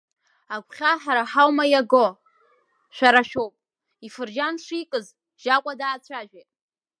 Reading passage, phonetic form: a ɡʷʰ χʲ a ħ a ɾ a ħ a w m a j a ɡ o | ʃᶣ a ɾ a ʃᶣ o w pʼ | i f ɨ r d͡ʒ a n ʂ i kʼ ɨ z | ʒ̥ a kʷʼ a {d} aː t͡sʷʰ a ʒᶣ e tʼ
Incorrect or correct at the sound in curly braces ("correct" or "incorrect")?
correct